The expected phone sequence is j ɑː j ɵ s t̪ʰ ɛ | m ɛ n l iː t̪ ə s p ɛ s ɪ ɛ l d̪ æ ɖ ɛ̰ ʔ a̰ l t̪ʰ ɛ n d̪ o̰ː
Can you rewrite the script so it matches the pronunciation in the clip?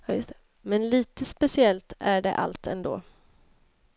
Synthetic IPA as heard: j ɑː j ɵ s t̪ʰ ɛ | m ɛ n l iː t̪ ə s p ɛ s ɪ ɛ l t̪ æ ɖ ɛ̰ ʔ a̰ l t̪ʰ ɛ n d̪ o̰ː